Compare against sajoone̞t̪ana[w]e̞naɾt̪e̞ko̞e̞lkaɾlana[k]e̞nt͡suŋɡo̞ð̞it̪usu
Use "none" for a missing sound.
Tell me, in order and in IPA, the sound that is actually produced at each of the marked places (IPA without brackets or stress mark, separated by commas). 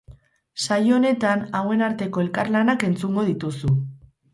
w, k